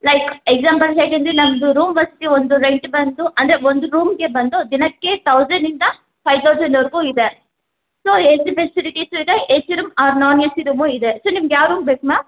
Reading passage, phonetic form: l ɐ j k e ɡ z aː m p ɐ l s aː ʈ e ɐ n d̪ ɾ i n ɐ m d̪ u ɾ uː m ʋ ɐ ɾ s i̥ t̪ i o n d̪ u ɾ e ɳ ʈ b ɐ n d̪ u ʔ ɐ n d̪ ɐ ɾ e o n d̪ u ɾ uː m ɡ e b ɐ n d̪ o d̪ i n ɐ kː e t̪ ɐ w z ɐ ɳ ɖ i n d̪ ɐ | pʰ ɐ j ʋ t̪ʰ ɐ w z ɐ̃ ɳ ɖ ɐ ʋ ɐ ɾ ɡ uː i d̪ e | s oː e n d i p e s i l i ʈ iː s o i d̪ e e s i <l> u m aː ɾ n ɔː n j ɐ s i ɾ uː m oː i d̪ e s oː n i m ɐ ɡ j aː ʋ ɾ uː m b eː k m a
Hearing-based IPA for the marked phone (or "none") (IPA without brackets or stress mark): ɾ